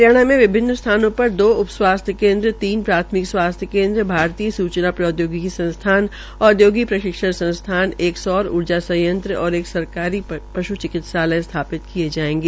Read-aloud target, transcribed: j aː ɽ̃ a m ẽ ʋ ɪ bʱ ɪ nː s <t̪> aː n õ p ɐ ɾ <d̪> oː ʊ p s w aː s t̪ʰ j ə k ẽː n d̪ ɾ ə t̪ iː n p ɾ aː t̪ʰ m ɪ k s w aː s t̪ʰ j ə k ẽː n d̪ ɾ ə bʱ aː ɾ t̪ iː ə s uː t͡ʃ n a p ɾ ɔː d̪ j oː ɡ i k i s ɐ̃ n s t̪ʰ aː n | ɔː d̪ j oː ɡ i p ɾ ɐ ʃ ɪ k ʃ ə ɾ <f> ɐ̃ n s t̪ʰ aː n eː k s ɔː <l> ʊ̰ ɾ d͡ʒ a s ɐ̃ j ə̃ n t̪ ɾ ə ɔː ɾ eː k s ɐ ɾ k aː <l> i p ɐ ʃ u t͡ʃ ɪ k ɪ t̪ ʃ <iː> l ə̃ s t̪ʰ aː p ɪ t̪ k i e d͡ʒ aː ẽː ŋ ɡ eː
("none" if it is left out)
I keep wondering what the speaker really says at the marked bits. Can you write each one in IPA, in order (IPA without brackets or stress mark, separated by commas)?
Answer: t̪ʰ, d̪, s, ɾ, ɾ, aː